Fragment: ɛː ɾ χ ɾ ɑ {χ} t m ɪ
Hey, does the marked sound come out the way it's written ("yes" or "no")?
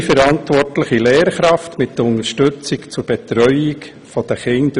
no